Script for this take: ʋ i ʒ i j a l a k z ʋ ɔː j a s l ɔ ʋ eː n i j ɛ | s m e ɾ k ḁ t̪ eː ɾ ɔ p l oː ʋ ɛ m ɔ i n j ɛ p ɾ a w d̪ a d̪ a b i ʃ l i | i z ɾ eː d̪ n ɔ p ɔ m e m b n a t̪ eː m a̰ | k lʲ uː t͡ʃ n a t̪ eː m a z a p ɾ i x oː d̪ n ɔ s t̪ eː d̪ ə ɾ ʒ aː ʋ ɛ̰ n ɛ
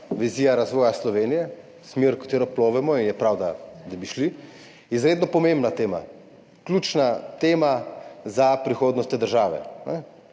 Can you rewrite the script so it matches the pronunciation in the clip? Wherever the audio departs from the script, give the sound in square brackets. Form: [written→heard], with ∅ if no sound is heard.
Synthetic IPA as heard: ʋ i [ʒ→z] i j a [l→ɾ] a [k→∅] z ʋ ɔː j a s l ɔ ʋ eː n i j ɛ | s m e ɾ k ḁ t̪ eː ɾ ɔ p l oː ʋ ɛ m ɔ i n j ɛ p ɾ a w d̪ a d̪ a b i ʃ l i | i z ɾ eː d̪ n ɔ p ɔ m e m b n a t̪ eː m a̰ | k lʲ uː t͡ʃ n a t̪ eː m a z a p ɾ i x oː d̪ n ɔ s t̪ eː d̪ ə ɾ ʒ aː ʋ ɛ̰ n ɛ